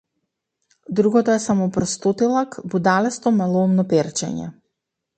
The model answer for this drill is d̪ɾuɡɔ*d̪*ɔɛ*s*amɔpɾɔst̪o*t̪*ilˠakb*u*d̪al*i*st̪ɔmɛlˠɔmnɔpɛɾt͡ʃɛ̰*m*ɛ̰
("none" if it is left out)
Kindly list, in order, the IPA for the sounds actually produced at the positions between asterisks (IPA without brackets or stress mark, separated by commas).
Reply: t̪, s, t̪, u, ɛ, ɲ